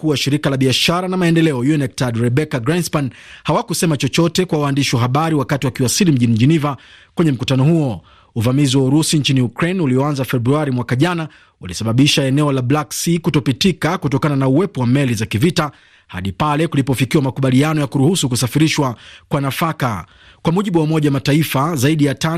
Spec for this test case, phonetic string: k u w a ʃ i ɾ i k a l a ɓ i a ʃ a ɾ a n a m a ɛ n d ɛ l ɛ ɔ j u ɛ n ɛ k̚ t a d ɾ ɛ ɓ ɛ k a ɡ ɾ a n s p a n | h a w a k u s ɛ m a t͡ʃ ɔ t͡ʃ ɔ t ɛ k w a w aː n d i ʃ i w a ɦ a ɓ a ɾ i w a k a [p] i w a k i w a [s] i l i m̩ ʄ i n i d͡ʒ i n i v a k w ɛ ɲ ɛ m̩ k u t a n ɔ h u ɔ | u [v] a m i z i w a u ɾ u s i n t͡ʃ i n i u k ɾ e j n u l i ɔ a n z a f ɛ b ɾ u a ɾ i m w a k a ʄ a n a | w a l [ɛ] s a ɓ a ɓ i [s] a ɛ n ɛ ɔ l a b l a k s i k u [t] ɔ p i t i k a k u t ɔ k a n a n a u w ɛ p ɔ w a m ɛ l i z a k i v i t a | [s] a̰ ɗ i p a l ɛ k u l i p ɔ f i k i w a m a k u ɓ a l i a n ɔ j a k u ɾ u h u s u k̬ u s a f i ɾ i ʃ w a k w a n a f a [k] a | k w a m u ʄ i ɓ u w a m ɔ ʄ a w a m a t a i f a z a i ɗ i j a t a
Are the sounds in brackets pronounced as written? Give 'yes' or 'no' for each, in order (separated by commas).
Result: no, yes, yes, no, no, yes, no, yes